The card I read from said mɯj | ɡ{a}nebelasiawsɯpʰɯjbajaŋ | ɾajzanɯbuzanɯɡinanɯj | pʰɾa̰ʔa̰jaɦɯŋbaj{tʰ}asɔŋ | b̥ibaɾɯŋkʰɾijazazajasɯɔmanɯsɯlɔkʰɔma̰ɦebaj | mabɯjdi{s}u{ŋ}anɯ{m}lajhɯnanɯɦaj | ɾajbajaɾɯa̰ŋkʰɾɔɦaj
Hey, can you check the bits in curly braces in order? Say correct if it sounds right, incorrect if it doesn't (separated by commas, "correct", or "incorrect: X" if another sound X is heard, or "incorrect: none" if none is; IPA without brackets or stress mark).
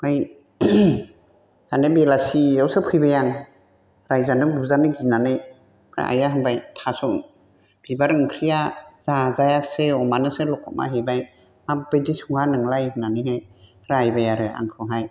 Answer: correct, correct, correct, correct, incorrect: ŋ